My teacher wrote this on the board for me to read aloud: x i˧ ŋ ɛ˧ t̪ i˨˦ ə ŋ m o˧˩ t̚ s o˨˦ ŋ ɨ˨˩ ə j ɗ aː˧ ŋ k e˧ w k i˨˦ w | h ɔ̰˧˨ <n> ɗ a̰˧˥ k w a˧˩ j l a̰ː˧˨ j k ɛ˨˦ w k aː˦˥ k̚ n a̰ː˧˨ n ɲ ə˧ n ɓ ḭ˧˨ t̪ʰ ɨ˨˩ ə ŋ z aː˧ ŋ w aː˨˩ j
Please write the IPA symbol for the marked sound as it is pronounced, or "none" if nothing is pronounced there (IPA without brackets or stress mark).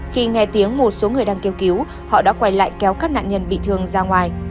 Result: none